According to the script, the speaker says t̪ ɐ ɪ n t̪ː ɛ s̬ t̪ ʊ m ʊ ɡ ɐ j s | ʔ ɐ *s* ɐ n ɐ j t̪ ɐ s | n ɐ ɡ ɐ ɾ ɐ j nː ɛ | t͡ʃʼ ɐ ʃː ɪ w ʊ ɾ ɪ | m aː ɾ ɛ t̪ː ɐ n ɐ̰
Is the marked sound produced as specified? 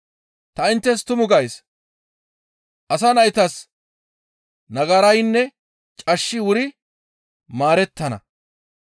yes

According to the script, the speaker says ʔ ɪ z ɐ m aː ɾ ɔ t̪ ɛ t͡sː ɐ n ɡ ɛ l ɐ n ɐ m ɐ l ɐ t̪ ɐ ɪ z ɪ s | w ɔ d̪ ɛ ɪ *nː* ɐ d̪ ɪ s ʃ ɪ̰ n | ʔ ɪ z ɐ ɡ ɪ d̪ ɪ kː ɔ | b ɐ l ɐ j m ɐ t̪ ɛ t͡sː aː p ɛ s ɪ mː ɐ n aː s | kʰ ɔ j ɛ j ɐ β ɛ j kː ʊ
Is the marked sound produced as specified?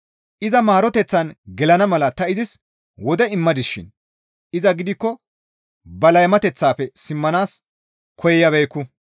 no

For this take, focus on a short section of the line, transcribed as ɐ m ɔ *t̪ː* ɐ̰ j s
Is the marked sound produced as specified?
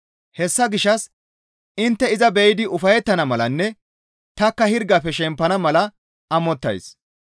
yes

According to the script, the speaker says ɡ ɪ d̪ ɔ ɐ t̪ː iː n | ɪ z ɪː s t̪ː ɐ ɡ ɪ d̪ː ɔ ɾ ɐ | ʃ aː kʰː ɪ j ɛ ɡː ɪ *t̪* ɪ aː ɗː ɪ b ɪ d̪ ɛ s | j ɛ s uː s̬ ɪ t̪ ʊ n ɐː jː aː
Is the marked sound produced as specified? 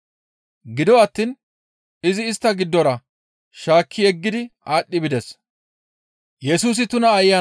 no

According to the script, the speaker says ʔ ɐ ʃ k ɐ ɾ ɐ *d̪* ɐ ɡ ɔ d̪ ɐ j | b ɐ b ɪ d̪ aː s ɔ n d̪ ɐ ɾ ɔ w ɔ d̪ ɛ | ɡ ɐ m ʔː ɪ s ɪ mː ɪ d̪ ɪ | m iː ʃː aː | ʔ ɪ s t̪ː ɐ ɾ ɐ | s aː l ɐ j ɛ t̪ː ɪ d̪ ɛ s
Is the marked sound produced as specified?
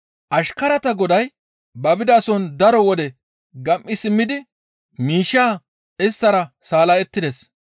no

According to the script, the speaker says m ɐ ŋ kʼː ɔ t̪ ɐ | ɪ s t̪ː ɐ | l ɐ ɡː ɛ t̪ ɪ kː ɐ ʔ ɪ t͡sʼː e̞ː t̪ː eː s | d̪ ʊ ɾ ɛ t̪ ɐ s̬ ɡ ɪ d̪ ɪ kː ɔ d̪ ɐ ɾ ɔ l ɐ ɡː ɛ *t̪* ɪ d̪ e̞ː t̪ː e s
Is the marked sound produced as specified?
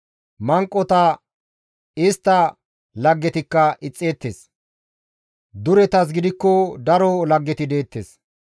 yes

